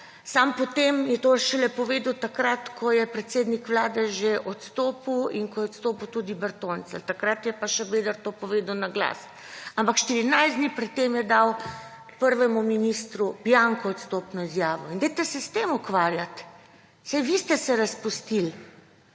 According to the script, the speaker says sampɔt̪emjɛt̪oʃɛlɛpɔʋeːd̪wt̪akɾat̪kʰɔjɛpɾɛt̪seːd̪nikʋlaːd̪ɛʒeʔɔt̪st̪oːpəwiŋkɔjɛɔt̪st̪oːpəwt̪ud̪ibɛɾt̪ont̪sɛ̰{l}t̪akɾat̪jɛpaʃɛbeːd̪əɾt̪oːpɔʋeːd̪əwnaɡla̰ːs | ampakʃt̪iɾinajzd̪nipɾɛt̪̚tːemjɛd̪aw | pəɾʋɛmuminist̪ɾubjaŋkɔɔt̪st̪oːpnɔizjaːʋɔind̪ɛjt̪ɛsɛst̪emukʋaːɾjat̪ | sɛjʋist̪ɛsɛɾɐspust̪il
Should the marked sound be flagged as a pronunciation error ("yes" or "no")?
no